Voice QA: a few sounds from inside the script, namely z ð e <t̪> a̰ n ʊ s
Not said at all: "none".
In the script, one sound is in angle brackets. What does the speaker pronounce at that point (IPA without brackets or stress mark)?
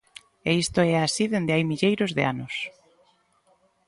none